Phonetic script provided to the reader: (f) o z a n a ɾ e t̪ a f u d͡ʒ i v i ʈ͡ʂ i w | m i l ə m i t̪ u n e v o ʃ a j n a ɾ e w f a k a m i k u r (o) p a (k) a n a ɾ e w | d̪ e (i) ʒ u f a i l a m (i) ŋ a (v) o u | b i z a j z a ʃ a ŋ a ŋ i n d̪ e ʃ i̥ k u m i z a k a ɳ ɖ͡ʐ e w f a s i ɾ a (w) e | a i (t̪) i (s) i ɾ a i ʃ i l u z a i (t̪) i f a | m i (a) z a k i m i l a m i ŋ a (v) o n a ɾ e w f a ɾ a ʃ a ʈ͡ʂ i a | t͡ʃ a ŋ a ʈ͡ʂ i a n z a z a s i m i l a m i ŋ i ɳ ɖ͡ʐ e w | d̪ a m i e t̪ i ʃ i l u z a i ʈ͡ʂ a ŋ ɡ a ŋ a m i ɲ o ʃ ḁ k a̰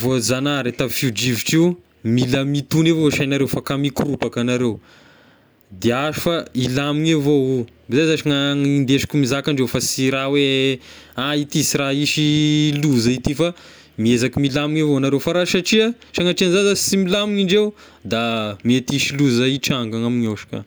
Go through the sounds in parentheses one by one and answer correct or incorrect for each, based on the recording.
incorrect, incorrect, correct, incorrect, correct, correct, correct, correct, correct, correct, incorrect, correct

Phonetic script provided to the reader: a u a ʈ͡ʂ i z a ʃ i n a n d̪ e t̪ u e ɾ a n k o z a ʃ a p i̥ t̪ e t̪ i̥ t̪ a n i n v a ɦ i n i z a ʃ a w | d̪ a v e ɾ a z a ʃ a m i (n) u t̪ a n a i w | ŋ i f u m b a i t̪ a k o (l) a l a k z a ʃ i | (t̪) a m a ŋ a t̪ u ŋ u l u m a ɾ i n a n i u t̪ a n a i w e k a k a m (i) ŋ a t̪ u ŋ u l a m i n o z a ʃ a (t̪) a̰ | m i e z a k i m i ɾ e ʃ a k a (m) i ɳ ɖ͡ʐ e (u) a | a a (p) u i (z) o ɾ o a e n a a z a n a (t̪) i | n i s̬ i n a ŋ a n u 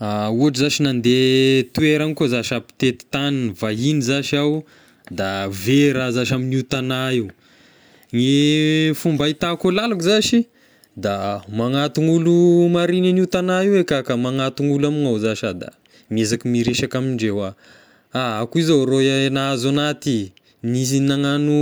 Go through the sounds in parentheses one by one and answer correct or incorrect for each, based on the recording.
correct, correct, incorrect, incorrect, incorrect, correct, incorrect, incorrect, correct, correct

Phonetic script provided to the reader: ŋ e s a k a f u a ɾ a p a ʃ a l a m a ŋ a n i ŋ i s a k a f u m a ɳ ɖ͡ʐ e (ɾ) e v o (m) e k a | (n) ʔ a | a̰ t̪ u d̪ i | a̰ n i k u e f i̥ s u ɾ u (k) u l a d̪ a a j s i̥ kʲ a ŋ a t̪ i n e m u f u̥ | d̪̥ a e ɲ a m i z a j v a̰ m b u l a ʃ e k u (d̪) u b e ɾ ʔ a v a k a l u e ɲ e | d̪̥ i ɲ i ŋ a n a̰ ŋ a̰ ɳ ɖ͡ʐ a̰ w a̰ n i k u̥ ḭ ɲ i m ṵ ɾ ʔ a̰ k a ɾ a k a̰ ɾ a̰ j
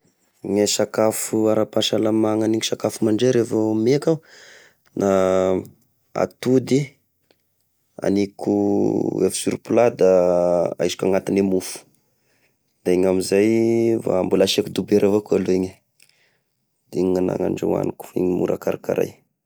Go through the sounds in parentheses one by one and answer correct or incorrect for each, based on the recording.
correct, correct, correct, incorrect, correct

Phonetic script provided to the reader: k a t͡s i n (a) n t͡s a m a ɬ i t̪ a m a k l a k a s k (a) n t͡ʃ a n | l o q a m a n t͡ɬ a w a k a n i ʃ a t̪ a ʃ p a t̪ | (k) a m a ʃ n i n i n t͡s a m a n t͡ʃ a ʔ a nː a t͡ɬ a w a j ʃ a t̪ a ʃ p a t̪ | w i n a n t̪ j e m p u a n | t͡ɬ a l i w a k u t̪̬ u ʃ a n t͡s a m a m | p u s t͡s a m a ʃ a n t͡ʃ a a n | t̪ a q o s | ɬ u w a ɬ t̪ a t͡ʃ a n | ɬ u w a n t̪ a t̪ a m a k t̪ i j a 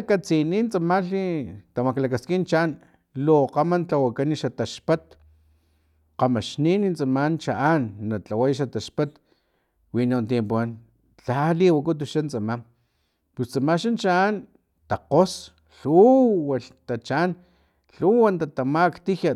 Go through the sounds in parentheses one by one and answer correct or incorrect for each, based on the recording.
incorrect, incorrect, incorrect

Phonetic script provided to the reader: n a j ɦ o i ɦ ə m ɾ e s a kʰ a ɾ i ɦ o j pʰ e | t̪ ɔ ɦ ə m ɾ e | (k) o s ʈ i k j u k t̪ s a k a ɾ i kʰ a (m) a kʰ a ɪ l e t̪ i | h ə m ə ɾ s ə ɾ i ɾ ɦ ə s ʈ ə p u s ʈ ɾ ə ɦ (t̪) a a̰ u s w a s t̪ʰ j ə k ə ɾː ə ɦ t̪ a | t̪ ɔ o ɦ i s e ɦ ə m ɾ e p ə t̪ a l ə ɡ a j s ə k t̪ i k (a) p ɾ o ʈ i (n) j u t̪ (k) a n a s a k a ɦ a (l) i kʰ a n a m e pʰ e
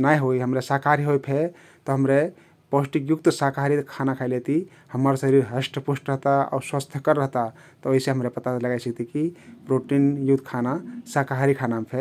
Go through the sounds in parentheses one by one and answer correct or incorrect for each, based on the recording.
incorrect, incorrect, correct, incorrect, correct, incorrect, incorrect

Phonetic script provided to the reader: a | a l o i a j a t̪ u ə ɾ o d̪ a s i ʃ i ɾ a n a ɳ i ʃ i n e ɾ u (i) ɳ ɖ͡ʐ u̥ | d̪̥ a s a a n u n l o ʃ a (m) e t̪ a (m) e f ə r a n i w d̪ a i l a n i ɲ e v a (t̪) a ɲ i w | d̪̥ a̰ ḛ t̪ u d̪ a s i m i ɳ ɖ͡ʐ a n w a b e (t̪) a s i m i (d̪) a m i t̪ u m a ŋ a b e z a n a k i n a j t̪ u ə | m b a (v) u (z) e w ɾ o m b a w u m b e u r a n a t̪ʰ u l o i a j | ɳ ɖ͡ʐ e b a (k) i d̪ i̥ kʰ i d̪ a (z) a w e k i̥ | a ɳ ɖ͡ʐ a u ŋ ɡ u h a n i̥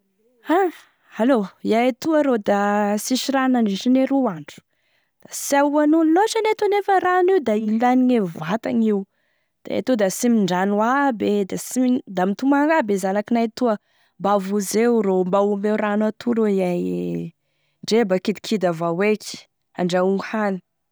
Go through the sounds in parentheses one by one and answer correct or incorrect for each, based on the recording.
incorrect, incorrect, incorrect, correct, incorrect, correct, correct, correct, correct, incorrect

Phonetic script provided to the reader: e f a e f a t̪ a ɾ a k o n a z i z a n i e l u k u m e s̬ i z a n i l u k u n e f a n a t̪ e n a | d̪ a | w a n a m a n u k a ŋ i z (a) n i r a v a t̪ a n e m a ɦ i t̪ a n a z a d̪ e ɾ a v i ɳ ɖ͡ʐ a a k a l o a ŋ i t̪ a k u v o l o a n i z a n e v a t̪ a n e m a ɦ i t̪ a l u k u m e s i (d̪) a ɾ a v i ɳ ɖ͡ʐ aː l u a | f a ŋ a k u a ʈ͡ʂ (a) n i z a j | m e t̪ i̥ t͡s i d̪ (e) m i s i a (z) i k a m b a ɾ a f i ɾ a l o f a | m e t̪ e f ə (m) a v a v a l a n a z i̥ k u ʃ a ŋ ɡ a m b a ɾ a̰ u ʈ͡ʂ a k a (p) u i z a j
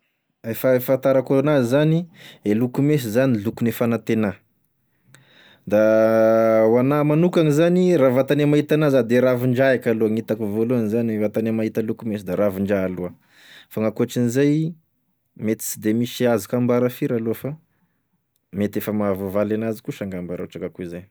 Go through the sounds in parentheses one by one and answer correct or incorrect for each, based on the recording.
correct, correct, incorrect, correct, correct, correct, incorrect

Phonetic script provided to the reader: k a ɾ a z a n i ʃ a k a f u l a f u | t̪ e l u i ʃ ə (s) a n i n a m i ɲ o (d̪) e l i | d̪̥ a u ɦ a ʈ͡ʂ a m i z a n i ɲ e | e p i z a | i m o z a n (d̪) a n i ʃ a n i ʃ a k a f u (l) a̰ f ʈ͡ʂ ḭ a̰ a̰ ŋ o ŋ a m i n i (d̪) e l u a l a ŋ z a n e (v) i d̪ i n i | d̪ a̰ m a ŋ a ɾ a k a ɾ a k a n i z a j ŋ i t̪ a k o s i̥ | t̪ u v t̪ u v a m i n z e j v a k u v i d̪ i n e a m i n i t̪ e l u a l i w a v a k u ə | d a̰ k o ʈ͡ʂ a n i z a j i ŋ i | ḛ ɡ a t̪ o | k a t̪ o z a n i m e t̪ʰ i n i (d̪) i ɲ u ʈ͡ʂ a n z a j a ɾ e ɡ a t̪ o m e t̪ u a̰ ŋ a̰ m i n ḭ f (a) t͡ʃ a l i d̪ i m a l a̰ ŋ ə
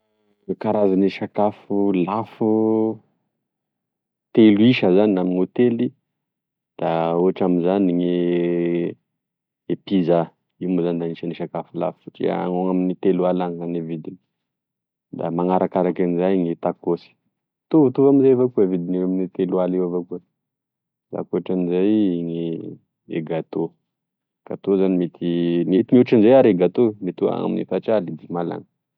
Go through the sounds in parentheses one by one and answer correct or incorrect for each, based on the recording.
incorrect, incorrect, correct, correct, incorrect, correct, incorrect, correct

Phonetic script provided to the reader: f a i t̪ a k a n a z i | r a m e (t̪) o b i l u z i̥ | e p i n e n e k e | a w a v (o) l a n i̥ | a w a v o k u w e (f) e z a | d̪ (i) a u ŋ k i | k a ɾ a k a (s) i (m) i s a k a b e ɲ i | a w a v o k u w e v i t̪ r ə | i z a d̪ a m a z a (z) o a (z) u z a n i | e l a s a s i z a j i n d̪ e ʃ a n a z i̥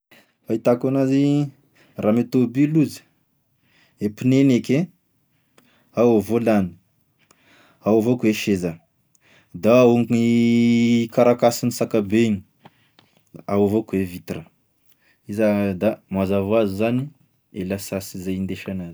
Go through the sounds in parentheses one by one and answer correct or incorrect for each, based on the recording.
correct, correct, incorrect, incorrect, correct, incorrect, incorrect, correct

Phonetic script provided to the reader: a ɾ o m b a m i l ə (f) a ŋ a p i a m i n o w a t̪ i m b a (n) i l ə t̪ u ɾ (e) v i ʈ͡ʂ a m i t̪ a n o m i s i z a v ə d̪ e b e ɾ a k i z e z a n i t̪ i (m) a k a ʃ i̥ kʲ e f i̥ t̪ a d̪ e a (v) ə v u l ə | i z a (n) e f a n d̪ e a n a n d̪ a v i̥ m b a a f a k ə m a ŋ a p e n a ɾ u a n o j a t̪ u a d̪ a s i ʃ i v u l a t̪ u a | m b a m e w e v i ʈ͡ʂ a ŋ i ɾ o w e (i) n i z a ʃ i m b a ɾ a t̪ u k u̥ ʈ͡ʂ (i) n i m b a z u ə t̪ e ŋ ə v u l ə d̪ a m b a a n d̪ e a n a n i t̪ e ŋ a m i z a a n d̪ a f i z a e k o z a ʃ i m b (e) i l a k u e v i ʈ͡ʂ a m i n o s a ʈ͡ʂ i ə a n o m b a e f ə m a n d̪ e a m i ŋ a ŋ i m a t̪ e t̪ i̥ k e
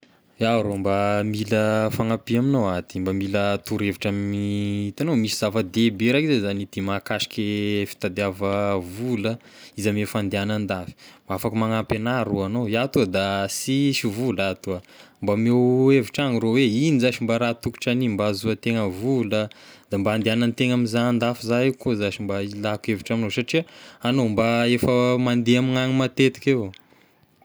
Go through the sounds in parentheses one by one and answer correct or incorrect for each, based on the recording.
correct, incorrect, correct, correct, correct, incorrect, correct, incorrect, incorrect

